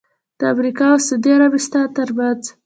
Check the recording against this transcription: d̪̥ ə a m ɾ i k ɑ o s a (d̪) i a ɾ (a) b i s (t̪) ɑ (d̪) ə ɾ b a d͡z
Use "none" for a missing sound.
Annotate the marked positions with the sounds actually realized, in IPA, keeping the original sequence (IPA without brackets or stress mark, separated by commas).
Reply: d̪, a, t̪, t̪